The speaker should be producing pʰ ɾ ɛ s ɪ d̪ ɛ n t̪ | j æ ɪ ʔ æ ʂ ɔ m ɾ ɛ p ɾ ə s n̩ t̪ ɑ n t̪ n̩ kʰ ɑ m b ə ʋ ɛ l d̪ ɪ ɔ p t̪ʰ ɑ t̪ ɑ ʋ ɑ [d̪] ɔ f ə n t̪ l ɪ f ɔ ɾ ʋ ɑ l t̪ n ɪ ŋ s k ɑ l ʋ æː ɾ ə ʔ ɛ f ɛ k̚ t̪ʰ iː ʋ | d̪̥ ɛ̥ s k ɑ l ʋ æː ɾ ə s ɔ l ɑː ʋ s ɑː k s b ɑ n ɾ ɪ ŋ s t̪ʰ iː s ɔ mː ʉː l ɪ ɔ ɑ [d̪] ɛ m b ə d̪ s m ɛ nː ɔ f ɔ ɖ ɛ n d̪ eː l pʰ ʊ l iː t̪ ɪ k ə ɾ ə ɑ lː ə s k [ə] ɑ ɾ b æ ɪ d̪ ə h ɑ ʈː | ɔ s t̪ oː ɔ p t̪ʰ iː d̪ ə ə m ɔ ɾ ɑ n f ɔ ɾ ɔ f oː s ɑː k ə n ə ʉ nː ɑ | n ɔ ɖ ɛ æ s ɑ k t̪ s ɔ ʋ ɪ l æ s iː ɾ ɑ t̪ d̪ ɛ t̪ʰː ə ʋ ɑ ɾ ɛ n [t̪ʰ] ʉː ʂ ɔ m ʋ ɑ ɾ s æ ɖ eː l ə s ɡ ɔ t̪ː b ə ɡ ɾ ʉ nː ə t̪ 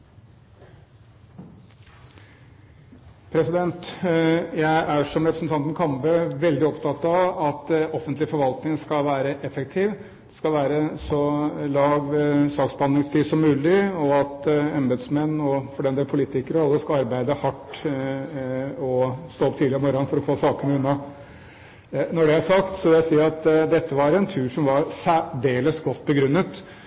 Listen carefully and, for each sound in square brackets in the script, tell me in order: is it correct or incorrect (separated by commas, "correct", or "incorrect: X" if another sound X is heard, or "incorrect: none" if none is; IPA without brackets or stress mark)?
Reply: incorrect: t̪, incorrect: t̪, incorrect: ɑ, correct